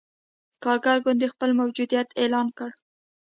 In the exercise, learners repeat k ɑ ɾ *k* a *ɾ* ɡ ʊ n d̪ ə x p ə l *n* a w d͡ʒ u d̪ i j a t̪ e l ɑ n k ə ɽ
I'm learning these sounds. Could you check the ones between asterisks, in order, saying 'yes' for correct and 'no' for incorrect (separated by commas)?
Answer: no, yes, no